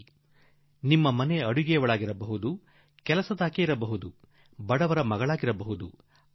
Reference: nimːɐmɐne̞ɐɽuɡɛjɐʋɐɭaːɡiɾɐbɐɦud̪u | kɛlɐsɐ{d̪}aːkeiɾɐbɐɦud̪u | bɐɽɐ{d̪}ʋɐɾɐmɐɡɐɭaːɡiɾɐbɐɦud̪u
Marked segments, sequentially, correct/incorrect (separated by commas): correct, incorrect